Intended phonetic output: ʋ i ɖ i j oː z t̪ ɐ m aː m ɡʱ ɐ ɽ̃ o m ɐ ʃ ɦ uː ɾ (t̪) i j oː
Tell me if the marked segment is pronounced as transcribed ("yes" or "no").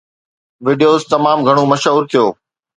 no